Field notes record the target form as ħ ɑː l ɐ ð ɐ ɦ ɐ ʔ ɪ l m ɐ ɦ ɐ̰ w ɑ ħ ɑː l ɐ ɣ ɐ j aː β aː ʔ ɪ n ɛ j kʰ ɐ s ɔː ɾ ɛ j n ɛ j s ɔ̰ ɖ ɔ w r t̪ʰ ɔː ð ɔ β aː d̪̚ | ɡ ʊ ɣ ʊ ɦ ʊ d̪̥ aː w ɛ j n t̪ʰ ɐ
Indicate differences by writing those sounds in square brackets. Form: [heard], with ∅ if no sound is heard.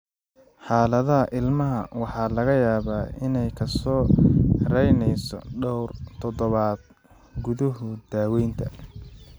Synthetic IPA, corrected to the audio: ħ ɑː l ɐ ð ɐ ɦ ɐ ʔ ɪ l m ɐ ɦ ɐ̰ w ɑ ħ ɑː l ɐ ɣ ɐ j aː β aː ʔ ɪ n ɛ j kʰ ɐ s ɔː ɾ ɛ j n ɛ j s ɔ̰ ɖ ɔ w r t̪ʰ [ɔ] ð ɔ β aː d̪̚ | ɡ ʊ [ð] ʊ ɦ ʊ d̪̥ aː w ɛ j n t̪ʰ ɐ